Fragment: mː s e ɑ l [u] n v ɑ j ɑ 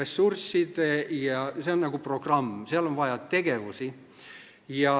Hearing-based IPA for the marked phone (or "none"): o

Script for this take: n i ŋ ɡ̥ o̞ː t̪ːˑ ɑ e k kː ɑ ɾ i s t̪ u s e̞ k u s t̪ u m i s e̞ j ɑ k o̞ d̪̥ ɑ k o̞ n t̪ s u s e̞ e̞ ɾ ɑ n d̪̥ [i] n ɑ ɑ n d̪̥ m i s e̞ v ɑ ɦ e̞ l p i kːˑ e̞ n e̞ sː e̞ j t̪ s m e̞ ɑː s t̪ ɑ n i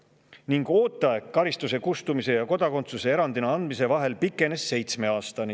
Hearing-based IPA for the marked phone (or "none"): i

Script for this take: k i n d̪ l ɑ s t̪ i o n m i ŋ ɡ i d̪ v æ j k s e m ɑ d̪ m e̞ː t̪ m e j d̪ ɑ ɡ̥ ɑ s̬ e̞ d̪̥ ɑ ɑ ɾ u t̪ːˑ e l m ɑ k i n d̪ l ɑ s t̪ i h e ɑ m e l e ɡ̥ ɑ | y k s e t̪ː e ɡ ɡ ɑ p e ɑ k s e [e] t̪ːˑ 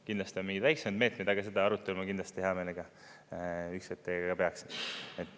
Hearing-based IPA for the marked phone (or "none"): e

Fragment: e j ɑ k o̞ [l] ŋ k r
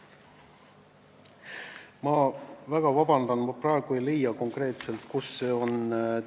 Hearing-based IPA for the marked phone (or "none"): none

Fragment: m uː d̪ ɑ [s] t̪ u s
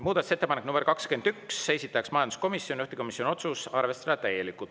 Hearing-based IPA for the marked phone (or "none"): none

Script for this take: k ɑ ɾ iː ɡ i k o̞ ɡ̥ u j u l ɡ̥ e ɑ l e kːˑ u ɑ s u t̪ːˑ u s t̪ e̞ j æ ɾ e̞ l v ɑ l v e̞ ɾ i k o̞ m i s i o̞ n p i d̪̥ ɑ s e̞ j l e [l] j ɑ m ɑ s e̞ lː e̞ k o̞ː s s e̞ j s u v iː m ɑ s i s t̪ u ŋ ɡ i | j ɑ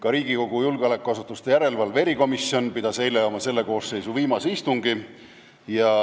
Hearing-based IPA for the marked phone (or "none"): none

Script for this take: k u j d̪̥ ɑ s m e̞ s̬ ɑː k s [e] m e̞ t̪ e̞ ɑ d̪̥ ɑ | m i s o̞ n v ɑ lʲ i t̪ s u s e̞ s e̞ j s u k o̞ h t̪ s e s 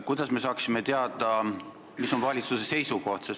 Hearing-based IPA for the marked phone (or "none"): i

